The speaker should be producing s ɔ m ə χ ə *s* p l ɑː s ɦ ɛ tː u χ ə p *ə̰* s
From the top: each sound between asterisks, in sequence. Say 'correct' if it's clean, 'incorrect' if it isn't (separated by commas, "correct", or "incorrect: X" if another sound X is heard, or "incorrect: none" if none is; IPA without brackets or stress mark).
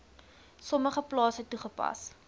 incorrect: none, incorrect: ɐ̰